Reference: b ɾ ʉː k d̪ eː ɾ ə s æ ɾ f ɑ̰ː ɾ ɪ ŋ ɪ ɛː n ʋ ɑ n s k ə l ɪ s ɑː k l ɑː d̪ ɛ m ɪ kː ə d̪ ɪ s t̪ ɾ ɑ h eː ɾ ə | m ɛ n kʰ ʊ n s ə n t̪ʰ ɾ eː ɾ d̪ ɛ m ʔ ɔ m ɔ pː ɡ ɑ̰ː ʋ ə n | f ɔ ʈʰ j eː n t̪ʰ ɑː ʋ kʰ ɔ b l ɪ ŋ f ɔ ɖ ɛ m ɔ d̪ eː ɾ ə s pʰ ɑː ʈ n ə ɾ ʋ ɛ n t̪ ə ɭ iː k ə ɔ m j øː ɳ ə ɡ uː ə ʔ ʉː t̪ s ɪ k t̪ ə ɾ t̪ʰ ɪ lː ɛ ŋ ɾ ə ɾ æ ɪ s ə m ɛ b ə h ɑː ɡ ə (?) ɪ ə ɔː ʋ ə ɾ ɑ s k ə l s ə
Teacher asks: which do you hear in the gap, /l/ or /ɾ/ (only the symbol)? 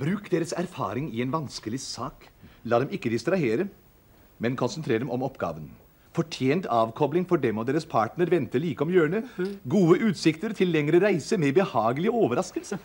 l